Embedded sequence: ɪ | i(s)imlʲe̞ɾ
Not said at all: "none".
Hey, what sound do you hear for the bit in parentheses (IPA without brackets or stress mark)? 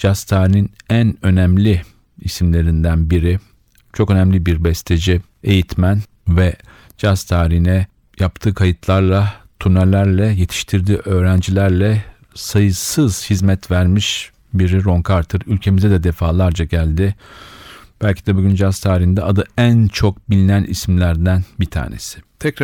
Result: s